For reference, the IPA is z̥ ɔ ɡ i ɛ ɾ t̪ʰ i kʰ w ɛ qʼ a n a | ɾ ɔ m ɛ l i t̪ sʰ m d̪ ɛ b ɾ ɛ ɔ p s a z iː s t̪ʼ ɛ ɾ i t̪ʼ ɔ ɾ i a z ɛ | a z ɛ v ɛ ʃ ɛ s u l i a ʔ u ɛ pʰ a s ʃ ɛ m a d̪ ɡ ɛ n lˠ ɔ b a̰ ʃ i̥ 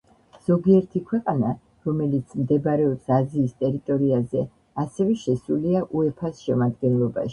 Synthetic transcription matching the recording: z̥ ɔ ɡ i ɛ ɾ t̪ʰ i kʰ w ɛ qʼ a n a | ɾ ɔ m ɛ l i t̪ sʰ m d̪ ɛ b ɾ ɛ ɔ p s a z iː s t̪ʼ ɛ ɾ i t̪ʼ ɔ ɾ i a z ɛ | a s ɛ v ɛ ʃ ɛ s u l i a ʔ u ɛ pʰ a s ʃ ɛ m a d̪ ɡ ɛ n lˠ ɔ b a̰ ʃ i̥